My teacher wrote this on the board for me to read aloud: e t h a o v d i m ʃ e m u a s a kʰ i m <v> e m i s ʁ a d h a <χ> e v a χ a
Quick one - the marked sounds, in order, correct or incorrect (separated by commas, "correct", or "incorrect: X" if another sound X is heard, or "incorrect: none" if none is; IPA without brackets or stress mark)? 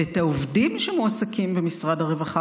incorrect: b, incorrect: ʁ